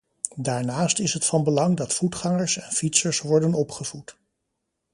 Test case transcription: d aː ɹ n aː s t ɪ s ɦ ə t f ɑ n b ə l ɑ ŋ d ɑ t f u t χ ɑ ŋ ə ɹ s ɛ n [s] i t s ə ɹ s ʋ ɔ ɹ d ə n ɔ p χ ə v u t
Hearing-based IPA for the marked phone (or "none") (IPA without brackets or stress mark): f